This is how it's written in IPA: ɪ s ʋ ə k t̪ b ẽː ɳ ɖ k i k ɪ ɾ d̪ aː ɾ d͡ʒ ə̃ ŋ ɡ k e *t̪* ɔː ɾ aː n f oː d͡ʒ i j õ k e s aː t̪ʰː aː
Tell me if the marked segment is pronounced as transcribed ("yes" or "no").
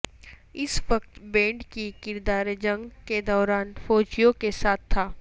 no